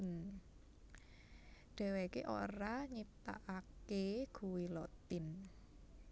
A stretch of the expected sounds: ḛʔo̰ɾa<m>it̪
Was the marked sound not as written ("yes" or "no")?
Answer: yes